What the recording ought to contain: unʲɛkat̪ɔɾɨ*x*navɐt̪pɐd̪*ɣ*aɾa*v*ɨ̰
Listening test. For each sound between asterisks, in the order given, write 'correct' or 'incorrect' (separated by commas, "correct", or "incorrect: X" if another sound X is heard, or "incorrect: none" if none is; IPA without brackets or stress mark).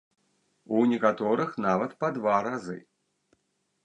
correct, incorrect: v, incorrect: z